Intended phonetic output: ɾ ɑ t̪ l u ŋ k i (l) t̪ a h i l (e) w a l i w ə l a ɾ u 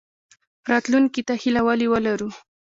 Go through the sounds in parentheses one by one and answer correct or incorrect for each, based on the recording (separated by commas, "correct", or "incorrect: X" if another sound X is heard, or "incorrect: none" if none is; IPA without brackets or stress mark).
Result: incorrect: none, incorrect: a